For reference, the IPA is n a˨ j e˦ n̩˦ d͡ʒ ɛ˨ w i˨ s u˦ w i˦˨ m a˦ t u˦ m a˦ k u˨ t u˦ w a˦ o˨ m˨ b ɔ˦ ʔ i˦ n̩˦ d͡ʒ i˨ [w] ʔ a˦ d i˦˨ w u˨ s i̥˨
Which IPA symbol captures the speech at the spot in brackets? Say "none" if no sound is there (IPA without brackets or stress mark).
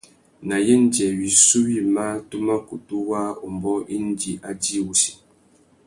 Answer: none